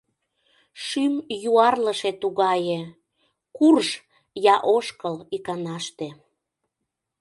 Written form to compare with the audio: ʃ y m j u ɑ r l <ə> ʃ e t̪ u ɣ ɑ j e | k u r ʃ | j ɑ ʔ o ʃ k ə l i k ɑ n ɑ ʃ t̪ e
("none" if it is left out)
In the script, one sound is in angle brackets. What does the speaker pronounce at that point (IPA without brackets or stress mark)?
ə